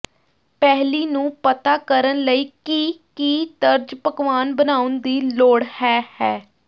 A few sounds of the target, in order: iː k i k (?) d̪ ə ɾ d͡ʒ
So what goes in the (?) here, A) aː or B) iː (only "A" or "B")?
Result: B